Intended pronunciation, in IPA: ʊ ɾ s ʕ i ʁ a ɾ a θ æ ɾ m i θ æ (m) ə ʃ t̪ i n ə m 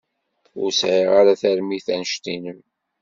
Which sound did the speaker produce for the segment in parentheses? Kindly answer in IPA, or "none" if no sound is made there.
n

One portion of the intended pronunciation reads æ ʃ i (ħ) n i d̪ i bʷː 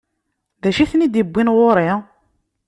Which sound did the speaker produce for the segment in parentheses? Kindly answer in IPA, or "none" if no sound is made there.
θ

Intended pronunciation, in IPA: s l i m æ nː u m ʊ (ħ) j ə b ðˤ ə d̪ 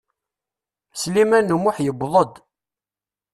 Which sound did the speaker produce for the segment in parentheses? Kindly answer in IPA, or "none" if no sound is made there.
ħ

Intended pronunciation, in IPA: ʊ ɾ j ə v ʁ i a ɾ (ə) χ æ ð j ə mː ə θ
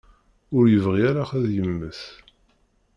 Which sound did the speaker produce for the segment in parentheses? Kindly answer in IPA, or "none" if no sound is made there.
a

